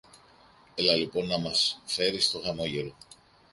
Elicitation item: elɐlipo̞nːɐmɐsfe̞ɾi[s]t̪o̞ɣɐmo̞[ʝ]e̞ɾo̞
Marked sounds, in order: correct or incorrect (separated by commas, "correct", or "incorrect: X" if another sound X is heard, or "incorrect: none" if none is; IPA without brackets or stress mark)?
correct, correct